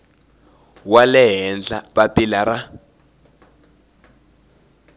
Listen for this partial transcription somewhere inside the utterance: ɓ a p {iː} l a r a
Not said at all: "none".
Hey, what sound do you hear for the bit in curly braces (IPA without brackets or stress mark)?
i